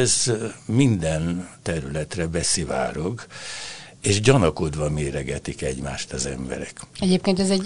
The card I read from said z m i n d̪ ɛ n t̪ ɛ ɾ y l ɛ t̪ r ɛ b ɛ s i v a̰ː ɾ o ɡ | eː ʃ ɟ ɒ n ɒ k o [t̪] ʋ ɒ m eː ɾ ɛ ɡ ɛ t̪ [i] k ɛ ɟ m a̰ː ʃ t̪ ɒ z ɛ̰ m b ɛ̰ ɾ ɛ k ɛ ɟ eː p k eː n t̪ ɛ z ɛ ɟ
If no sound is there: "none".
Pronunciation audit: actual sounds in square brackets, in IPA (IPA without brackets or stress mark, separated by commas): d̪, i